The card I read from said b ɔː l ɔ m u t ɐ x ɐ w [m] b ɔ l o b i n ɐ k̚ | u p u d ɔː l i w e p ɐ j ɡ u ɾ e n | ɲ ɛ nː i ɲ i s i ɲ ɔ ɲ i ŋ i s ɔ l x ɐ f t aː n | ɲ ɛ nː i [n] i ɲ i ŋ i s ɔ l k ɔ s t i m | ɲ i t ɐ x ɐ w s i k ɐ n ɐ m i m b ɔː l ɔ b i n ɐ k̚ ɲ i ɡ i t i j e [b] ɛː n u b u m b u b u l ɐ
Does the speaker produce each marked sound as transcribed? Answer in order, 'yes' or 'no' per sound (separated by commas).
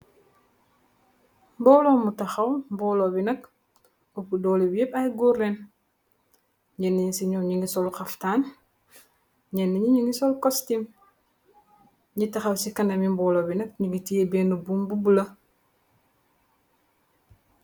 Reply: yes, no, yes